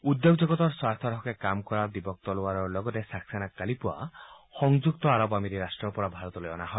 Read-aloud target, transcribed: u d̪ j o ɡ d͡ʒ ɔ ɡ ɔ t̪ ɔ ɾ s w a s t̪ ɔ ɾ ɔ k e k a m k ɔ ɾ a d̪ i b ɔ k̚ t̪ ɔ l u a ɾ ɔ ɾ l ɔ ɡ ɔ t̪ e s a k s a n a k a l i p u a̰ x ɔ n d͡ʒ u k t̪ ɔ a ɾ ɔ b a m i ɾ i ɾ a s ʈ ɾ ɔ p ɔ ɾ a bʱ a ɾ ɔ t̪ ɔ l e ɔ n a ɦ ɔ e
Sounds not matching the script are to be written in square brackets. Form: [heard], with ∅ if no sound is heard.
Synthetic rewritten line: u d̪ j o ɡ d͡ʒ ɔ ɡ ɔ t̪ ɔ ɾ s w a s [t̪ʰ] ɔ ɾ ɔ k e k a m k ɔ ɾ a d̪ i b ɔ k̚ t̪ ɔ l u a ɾ ɔ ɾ l ɔ ɡ ɔ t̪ e s a k s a n a k a l i p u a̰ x ɔ [ŋ] d͡ʒ u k t̪ ɔ a ɾ ɔ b a m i ɾ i ɾ a s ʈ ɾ ɔ p ɔ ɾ a bʱ a ɾ ɔ t̪ ɔ l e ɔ n a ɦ ɔ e

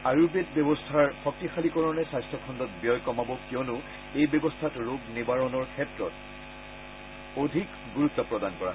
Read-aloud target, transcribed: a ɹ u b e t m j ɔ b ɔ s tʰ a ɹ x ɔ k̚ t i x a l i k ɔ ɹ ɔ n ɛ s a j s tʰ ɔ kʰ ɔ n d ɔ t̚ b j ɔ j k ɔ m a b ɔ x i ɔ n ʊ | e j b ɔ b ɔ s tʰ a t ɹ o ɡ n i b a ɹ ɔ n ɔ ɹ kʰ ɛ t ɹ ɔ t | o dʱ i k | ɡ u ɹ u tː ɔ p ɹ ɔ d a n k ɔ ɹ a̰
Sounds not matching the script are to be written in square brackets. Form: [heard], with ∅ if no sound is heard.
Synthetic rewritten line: a ɹ u b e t [b] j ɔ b ɔ s tʰ a ɹ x ɔ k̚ t i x a l i k ɔ ɹ ɔ n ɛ s a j s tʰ ɔ kʰ ɔ n d ɔ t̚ b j ɔ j k ɔ m a b ɔ [k] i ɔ n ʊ | e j b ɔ b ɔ s tʰ a t ɹ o ɡ n i b a ɹ ɔ n ɔ ɹ kʰ ɛ t ɹ ɔ t | o dʱ i k | ɡ u ɹ u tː ɔ p ɹ ɔ d a n k ɔ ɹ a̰

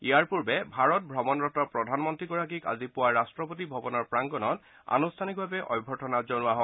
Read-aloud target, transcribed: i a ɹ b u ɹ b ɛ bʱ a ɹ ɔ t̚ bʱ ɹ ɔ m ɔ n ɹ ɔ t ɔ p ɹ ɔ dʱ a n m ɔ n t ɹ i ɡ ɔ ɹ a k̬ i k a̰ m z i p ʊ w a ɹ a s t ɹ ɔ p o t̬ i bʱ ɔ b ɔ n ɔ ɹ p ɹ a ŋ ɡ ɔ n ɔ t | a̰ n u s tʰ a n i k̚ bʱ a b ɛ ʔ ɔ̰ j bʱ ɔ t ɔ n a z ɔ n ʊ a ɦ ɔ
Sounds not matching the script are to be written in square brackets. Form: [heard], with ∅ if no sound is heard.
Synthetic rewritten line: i a ɹ [p] u ɹ b ɛ bʱ a ɹ ɔ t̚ bʱ ɹ ɔ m ɔ n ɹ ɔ t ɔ p ɹ ɔ dʱ a n m ɔ n t ɹ i ɡ ɔ ɹ a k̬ i k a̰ [∅] z i p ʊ w a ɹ a s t ɹ ɔ p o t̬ i bʱ ɔ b ɔ n ɔ ɹ p ɹ a ŋ ɡ ɔ n ɔ t | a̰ n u s tʰ a n i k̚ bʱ a b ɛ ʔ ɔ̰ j bʱ ɔ t ɔ n a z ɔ n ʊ a ɦ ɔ

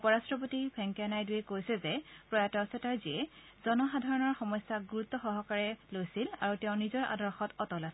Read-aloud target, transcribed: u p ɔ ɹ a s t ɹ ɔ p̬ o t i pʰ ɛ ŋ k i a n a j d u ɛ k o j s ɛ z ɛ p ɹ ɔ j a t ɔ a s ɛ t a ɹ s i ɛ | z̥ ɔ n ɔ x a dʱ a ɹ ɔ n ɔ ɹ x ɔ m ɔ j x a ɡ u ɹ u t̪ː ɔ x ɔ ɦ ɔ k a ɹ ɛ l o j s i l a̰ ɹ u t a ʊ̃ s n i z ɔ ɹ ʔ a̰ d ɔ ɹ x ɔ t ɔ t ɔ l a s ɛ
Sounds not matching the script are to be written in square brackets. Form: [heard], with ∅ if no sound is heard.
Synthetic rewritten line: u p ɔ ɹ a s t ɹ ɔ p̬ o t i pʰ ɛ ŋ k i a n a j d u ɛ k o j s ɛ z ɛ p ɹ ɔ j a t ɔ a s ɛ t a ɹ [z] i ɛ | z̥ ɔ n ɔ x a dʱ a ɹ ɔ n ɔ ɹ x ɔ m ɔ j [s] a ɡ u ɹ u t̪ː ɔ x ɔ ɦ ɔ k a ɹ ɛ l o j s i l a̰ ɹ u t [ɛ] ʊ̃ [∅] n i z ɔ ɹ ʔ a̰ d ɔ ɹ x ɔ t ɔ t ɔ l a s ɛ

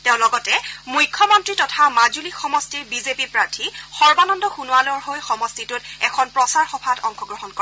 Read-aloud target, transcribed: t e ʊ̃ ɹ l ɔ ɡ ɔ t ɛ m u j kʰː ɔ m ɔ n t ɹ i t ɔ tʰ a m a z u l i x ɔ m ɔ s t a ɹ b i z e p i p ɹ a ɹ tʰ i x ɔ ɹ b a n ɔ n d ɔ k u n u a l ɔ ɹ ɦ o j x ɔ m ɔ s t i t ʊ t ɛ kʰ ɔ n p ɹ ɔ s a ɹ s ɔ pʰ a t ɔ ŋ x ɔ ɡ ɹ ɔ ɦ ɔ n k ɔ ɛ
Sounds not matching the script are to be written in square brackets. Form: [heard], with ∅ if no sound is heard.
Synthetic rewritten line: t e ʊ̃ [∅] l ɔ ɡ ɔ t ɛ m u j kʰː ɔ m ɔ n t ɹ i t ɔ tʰ a m a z u l i x ɔ m ɔ s t [i] ɹ b i z e p i p ɹ a ɹ tʰ i x ɔ ɹ b a n ɔ n d ɔ [x] u n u a l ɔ ɹ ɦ o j x ɔ m ɔ s t i t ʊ t ɛ kʰ ɔ n p ɹ ɔ s a ɹ [x] ɔ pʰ a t ɔ ŋ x ɔ ɡ ɹ ɔ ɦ ɔ n k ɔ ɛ

